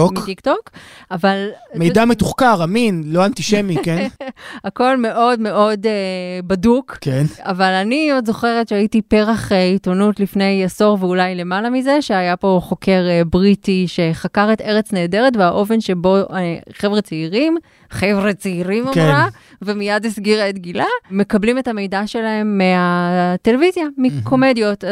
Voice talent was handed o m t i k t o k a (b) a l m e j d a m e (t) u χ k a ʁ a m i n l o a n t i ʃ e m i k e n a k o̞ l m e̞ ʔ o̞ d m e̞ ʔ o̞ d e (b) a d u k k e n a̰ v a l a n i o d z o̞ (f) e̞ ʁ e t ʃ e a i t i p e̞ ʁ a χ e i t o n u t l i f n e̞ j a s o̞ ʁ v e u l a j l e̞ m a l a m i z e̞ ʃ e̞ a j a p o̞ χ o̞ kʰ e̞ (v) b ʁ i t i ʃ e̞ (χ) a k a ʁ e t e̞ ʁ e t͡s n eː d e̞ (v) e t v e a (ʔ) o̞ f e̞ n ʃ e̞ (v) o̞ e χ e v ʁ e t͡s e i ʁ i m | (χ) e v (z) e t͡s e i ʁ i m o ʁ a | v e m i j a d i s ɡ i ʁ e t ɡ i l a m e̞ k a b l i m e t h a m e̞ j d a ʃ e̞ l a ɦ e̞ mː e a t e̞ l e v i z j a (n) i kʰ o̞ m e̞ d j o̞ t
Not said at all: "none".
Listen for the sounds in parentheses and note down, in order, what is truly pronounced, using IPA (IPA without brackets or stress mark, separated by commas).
v, t, b, χ, ʁ, χ, ʁ, ʔ, b, χ, ʁ, m